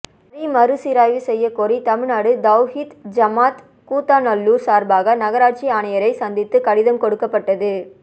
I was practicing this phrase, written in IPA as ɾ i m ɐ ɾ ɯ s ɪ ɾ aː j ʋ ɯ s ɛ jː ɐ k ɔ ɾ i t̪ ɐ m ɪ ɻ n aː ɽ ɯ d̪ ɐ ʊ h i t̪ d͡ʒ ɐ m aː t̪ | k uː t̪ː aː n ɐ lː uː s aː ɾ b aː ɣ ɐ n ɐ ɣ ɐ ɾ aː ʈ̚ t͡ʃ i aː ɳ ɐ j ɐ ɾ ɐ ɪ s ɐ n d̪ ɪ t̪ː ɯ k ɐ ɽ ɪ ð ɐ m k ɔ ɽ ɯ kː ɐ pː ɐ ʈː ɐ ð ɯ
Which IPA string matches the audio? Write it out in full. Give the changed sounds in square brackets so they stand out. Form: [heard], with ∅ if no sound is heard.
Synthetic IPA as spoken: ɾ i m ɐ ɾ ɯ s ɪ ɾ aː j ʋ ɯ s ɛ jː ɐ k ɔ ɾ i t̪ ɐ m ɪ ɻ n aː ɽ ɯ d̪ ɐ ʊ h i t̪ d͡ʒ ɐ m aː t̪ | k uː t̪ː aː n ɐ lː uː s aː ɾ b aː ɣ ɐ n ɐ ɣ ɐ ɾ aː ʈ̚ t͡ʃ i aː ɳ ɐ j ɐ ɾ ɐ ɪ s ɐ n d̪ ɪ t̪ː ɯ k ɐ ɽ ɪ ð ɐ m k ɔ ɽ ɯ kː ɐ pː ɐ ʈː ɐ ð ɯ

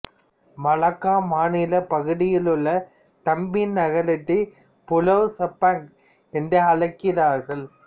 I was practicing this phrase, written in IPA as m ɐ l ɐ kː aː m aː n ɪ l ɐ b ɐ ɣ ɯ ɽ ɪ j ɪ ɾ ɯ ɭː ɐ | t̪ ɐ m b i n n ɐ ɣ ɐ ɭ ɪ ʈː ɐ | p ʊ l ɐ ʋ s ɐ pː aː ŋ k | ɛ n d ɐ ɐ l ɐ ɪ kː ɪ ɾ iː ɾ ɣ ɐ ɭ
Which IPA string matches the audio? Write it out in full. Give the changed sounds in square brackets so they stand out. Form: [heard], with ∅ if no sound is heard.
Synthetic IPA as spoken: m ɐ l ɐ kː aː m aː n ɪ l ɐ [p] ɐ ɣ ɯ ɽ ɪ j ɪ [l] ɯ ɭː ɐ | t̪ ɐ m b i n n ɐ ɣ ɐ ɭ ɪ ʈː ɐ | p ʊ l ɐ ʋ s ɐ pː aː ŋ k | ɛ n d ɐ ɐ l ɐ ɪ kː ɪ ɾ [aː] ɾ ɣ ɐ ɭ

